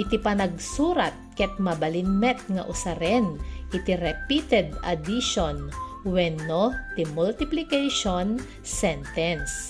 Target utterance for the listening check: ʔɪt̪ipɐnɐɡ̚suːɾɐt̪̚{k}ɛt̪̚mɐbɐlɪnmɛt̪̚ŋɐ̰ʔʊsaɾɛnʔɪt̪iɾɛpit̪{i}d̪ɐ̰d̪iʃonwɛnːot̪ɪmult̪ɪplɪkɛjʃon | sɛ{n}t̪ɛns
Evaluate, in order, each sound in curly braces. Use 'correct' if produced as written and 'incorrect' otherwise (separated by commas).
correct, incorrect, correct